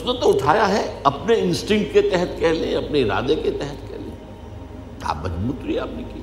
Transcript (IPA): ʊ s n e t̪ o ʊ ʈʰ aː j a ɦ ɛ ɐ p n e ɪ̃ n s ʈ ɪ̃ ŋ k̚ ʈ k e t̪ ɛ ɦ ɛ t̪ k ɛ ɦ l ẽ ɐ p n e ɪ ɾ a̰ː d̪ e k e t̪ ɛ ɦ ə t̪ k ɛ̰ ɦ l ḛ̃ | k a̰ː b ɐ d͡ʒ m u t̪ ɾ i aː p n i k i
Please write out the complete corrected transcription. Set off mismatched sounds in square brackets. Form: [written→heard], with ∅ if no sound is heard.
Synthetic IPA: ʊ s n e t̪ o ʊ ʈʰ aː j a ɦ ɛ ɐ p n e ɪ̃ n s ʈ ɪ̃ ŋ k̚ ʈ k e t̪ ɛ ɦ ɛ t̪ k ɛ ɦ l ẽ ɐ p n e ɪ ɾ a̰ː d̪ e k e t̪ ɛ ɦ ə t̪ k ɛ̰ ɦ l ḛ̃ | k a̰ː b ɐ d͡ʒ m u t̪ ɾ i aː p n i k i